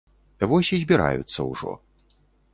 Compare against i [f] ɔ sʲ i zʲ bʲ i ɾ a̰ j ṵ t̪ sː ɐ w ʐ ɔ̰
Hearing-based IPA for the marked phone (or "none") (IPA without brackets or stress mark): v